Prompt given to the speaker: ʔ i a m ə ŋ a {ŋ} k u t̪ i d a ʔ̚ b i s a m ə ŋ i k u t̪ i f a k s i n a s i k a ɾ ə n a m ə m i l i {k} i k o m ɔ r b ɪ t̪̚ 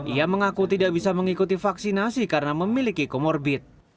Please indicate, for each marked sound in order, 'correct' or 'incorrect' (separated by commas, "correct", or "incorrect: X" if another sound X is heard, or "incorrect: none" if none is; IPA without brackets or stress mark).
incorrect: none, correct